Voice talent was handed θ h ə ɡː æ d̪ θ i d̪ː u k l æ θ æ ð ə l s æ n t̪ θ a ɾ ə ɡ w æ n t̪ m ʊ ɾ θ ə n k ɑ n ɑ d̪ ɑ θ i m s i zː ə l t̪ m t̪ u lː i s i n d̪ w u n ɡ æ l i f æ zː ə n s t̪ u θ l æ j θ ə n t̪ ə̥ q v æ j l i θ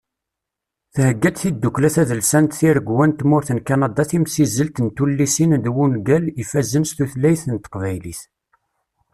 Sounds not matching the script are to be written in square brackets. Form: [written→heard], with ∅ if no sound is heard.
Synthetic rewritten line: θ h ə ɡː æ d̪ θ i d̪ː u k l æ θ æ ð ə l s æ n t̪ θ [a→i] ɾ ə ɡ w æ n t̪ m ʊ ɾ θ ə n k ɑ n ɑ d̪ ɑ θ i m s i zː ə l t̪ [m→n] t̪ u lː i s i n d̪ w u n ɡ æ l i f æ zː ə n s t̪ u θ l æ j θ ə n t̪ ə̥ q v æ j l i θ